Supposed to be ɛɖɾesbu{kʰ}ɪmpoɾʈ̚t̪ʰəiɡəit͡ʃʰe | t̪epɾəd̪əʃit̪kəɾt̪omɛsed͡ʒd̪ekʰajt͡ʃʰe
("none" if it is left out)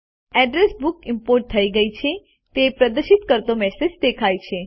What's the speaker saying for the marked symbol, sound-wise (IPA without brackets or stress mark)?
k